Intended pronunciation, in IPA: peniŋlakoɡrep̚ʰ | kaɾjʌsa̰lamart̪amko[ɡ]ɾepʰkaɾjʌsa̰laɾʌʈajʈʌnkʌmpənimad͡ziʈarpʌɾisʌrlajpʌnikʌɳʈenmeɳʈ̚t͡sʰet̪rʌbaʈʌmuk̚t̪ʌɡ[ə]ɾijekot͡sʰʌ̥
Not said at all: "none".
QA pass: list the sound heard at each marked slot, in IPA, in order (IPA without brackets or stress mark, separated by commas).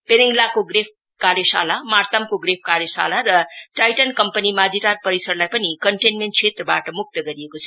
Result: ɡ, ʌ